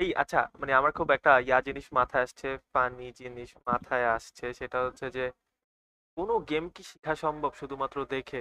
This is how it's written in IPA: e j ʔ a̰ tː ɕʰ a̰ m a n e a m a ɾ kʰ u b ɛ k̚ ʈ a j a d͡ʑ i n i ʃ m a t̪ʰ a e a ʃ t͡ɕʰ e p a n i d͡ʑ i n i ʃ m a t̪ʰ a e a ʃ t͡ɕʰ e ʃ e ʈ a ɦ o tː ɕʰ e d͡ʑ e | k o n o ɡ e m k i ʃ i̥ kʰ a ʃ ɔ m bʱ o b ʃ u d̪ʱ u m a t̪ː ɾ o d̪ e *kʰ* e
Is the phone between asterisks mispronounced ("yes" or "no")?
no